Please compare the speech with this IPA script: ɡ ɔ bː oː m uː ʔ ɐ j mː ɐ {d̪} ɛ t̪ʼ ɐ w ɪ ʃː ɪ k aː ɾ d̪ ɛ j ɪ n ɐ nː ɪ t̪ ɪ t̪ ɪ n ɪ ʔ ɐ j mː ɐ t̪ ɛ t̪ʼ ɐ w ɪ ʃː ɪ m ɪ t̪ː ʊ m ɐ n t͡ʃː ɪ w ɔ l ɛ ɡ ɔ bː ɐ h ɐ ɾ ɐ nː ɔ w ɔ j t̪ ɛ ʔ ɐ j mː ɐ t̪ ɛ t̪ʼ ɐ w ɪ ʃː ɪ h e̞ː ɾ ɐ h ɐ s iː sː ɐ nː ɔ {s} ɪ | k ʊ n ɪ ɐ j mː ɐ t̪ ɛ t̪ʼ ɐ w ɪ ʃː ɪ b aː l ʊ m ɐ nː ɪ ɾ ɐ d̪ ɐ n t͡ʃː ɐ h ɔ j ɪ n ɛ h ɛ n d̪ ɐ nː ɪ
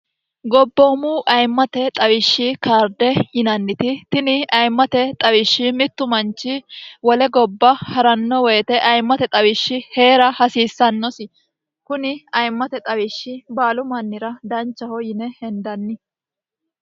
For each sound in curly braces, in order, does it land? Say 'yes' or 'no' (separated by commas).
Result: no, yes